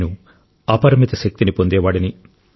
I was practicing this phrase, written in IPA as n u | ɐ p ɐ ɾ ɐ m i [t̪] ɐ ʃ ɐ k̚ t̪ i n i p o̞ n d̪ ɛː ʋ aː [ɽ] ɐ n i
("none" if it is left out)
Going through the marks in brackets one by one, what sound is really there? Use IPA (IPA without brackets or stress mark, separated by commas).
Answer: t̪, ɽ